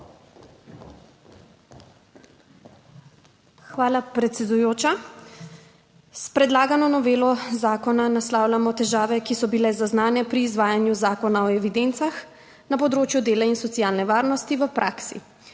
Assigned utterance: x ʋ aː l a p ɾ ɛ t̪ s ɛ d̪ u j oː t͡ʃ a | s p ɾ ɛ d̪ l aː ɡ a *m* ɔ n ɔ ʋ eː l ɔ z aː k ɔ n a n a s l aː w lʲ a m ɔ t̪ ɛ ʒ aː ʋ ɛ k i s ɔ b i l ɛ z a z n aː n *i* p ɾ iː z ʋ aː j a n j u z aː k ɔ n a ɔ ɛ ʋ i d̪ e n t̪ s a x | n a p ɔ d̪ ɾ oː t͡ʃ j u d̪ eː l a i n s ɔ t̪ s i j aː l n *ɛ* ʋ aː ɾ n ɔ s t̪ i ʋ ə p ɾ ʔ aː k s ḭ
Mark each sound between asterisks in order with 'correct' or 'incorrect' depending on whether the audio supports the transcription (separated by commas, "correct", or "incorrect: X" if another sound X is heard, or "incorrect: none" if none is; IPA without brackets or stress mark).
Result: incorrect: n, incorrect: ɛ, correct